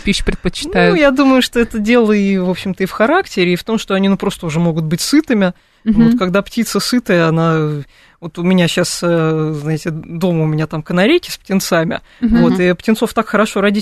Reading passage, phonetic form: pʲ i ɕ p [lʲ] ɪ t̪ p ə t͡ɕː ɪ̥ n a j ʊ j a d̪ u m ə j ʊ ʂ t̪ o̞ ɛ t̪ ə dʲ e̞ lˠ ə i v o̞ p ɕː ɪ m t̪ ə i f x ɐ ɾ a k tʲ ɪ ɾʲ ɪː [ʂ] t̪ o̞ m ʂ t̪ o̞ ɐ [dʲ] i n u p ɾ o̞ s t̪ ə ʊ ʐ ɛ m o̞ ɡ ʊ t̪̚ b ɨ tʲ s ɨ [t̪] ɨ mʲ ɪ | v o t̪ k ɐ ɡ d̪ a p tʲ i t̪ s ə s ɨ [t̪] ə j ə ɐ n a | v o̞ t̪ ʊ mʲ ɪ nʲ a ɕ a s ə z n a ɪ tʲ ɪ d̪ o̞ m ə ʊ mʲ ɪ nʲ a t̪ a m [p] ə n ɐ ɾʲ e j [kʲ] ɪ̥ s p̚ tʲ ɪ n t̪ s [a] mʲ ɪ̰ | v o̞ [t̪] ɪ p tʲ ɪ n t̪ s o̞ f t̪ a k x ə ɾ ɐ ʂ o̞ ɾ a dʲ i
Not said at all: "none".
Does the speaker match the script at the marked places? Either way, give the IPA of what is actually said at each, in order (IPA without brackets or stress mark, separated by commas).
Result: ɾʲ, f, nʲ, t̪, t̪, k, kʲ, a, t̪